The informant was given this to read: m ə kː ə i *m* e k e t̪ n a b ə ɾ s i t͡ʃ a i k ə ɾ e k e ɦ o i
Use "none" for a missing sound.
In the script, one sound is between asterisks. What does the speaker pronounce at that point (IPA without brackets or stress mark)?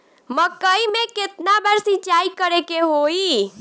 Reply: m